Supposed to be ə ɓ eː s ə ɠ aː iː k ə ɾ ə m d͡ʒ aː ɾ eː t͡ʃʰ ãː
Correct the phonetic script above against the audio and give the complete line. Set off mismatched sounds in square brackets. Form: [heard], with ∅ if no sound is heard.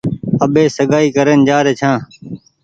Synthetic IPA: ə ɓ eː s ə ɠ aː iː k ə ɾ ə [n] d͡ʒ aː ɾ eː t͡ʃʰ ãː